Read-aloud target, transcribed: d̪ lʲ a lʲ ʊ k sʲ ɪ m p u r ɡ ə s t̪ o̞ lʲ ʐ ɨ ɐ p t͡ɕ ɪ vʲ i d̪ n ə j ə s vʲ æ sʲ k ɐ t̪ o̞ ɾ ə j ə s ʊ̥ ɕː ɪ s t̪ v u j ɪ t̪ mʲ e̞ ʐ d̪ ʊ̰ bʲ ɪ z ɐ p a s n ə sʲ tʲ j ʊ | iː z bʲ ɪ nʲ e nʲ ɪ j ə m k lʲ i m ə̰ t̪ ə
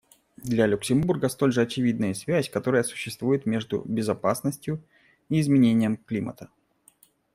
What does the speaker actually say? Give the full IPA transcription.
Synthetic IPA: d̪ lʲ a lʲ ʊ k sʲ ɪ m b u r ɡ ə s t̪ o̞ lʲ ʐ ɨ ɐ t͡ɕ ɪ vʲ i d̪ n ə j ə s vʲ æ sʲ k ɐ t̪ o̞ ɾ ə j ə s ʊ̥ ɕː ɪ s t̪ v u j ɪ t̪ mʲ e̞ ʐ d̪ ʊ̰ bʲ ɪ z ɐ p a s n ə sʲ tʲ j ʊ | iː z mʲ ɪ nʲ e nʲ ɪ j ə m k lʲ i m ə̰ t̪ ə

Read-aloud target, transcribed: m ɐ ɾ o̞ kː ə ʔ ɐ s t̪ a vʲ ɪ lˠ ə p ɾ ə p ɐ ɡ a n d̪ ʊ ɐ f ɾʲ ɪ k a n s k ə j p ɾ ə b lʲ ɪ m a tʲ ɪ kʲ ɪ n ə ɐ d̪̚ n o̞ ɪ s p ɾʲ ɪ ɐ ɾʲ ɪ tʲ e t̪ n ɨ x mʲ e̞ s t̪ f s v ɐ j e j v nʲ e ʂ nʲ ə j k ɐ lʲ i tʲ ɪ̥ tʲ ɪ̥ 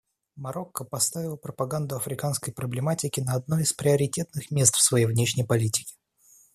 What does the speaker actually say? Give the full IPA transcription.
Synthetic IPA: m ɐ ɾ o̞ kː ə p ɐ s t̪ a vʲ ɪ lˠ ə p ɾ ə p ɐ ɡ a n d̪ ʊ ɐ f ɾʲ ɪ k a n s k ə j p ɾ ə b lʲ ɪ m a tʲ ɪ kʲ ɪ n ə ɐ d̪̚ n o̞ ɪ s p ɾʲ ɪ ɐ ɾʲ ɪ tʲ e t̪ n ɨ x mʲ e̞ s t̪ f s v ɐ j e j v nʲ e ʂ nʲ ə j p ɐ lʲ i tʲ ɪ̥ kʲ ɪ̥

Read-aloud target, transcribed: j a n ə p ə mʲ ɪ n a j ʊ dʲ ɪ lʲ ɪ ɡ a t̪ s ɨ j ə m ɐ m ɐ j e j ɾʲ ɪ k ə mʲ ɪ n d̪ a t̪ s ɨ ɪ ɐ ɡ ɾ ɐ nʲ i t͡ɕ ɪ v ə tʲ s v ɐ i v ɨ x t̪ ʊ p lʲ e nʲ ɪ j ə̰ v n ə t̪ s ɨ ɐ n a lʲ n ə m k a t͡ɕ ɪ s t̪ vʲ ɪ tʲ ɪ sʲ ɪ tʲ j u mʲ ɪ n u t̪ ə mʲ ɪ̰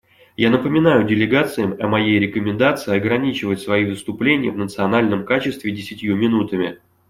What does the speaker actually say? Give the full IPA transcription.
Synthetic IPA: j a n ə p ə mʲ ɪ n a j ʊ dʲ ɪ lʲ ɪ ɡ a t̪ s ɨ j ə m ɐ m ɐ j e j ɾʲ ɪ k ə mʲ ɪ n d̪ a t̪ s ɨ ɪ ɐ ɡ ɾ ɐ nʲ i t͡ɕ ɪ v ə tʲ s v ɐ i v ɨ s t̪ ʊ p lʲ e nʲ ɪ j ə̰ v n ə t̪ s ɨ ɐ n a lʲ n ə m k a t͡ɕ ɪ s t̪ vʲ ɪ dʲ ɪ sʲ ɪ tʲ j u mʲ ɪ n u t̪ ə mʲ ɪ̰

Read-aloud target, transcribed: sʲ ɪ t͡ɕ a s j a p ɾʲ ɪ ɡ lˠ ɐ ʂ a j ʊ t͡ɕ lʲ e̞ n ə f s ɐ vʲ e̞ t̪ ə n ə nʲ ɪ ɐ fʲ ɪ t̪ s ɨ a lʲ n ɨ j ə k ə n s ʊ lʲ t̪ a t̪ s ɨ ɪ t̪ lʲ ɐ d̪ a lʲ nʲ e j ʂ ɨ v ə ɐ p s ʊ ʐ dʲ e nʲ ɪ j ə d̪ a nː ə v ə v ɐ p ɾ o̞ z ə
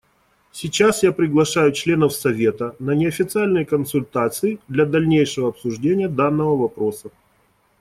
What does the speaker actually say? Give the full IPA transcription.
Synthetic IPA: sʲ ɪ t͡ɕ a s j a p ɾʲ ɪ ɡ lˠ ɐ ʂ a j ʊ t͡ɕ lʲ e̞ n ə f s ɐ vʲ e̞ t̪ ə n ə nʲ ɪ ɐ fʲ ɪ t̪ s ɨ a lʲ n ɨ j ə k ə n s ʊ lʲ t̪ a t̪ s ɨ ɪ d̪ lʲ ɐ d̪ ɐ lʲ nʲ e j ʂ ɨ v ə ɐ p s ʊ ʐ dʲ e nʲ ɪ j ə d̪ a nː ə v ə v ɐ p ɾ o̞ s ə

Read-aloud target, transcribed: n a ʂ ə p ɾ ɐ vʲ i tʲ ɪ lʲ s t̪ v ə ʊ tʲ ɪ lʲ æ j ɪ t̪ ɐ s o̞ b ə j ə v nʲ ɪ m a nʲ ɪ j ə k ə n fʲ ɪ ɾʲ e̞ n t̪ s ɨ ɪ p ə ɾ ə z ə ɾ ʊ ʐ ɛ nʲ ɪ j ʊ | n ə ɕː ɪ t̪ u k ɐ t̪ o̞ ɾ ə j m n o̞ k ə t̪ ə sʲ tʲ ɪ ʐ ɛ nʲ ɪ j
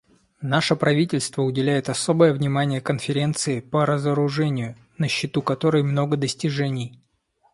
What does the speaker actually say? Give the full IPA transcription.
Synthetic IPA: n a ʂ ə p ɾ ɐ vʲ i tʲ ɪ lʲ s t̪ v ə ʊ dʲ ɪ lʲ æ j ɪ t̪ ɐ s o̞ b ə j ə v nʲ ɪ m a nʲ ɪ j ə k ə n fʲ ɪ ɾʲ e̞ n t̪ s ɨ ɪ p ə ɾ ə z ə ɾ ʊ ʐ ɛ nʲ ɪ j ʊ | n ə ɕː ɪ t̪ u k ɐ t̪ o̞ ɾ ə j m n o̞ ɡ ə d̪ ə sʲ tʲ ɪ ʐ ɛ nʲ ɪ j

